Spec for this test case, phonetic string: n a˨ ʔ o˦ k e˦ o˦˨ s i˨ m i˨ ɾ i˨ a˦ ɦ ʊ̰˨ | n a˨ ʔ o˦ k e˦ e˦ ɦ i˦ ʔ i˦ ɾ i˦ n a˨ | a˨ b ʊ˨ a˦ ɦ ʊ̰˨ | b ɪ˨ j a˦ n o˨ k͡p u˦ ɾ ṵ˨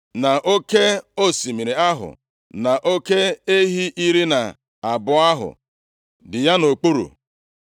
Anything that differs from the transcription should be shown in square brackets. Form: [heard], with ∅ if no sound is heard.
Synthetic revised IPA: n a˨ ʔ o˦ k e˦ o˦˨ s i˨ m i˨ ɾ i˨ a˦ ɦ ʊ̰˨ | n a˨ ʔ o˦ k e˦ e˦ ɦ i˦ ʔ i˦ ɾ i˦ n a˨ | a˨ b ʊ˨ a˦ ɦ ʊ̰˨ | [d] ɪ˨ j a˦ n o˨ k͡p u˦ ɾ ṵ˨